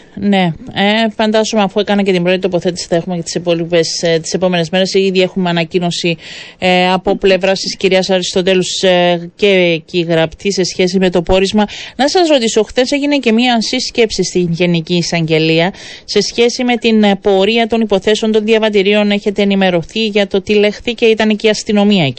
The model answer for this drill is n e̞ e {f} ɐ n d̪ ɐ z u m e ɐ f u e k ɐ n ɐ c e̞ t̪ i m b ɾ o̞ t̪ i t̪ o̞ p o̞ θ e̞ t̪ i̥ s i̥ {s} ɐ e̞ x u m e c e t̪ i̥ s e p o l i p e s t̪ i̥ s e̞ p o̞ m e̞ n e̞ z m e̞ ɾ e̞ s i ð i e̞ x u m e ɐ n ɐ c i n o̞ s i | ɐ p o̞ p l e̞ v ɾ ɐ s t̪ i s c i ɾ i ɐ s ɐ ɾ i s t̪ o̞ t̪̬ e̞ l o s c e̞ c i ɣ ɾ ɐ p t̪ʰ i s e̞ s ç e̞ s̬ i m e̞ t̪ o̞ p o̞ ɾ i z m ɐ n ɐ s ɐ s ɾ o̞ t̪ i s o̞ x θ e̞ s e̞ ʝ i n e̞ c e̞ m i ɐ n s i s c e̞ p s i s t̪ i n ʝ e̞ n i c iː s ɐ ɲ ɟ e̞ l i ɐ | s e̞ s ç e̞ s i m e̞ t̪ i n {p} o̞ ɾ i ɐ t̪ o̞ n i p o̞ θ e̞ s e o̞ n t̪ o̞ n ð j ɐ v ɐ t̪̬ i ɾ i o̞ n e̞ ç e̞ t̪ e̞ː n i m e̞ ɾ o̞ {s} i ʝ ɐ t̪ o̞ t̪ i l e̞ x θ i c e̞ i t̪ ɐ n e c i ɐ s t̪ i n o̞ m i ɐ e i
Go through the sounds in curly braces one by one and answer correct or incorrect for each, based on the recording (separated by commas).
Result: correct, incorrect, correct, incorrect